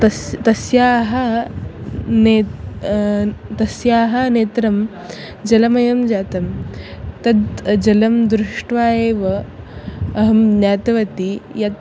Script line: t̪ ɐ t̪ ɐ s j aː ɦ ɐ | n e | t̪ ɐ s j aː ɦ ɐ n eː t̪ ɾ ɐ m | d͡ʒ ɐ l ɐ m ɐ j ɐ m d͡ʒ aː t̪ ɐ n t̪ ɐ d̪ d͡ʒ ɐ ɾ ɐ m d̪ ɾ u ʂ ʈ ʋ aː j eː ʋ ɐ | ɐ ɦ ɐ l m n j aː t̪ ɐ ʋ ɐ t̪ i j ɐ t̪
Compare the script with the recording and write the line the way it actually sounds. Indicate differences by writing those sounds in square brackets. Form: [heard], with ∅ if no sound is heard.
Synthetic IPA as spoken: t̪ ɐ t̪ ɐ s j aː ɦ ɐ | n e | t̪ ɐ s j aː ɦ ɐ n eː t̪ ɾ ɐ m | d͡ʒ ɐ l ɐ m ɐ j ɐ m d͡ʒ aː t̪ ɐ [m] t̪ ɐ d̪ d͡ʒ ɐ [l] ɐ m d̪ ɾ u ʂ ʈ ʋ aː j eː ʋ ɐ | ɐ ɦ ɐ [∅] m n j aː t̪ ɐ ʋ ɐ t̪ i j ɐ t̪